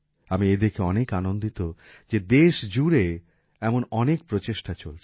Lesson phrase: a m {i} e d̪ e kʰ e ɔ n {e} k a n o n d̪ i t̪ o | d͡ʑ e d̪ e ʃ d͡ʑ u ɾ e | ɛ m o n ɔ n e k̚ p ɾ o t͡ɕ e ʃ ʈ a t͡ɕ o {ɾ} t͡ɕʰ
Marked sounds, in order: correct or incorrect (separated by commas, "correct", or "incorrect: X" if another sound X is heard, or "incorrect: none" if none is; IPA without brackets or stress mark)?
correct, correct, incorrect: l